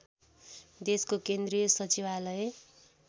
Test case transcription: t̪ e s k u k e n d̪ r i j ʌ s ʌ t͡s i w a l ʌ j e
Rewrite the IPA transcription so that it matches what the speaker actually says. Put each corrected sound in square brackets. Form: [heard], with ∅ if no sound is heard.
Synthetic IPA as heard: [d̪] e s k [o] k e n d̪ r i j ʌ s ʌ t͡s i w a l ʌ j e